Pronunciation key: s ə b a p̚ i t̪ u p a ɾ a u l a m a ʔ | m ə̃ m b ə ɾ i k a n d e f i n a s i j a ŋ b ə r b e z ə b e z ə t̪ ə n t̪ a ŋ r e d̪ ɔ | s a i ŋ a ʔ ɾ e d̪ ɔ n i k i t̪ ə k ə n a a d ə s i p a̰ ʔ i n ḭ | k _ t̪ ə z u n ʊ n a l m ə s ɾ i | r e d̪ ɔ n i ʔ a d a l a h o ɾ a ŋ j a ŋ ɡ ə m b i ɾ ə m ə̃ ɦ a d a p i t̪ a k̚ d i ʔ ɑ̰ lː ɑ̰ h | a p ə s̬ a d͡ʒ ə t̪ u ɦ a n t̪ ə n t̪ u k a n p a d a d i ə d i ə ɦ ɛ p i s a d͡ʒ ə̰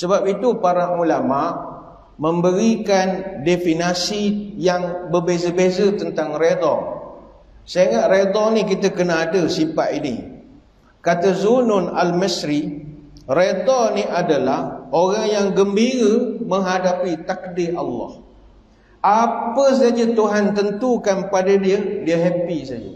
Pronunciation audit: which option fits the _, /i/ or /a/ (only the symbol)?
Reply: a